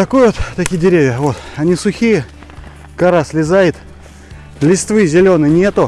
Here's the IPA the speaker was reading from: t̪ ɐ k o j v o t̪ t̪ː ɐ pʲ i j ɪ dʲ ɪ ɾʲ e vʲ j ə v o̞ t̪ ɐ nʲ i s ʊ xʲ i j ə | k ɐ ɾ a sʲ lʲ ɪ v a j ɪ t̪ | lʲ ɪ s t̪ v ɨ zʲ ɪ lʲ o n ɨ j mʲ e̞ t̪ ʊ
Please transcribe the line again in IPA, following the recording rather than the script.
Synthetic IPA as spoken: t̪ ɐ k o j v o t̪ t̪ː ɐ kʲ i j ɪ dʲ ɪ ɾʲ e vʲ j ə v o̞ t̪ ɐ nʲ i s ʊ xʲ i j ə | k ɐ ɾ a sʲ lʲ ɪ z a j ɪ t̪ | lʲ ɪ s t̪ v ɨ zʲ ɪ lʲ o n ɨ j nʲ e̞ t̪ ʊ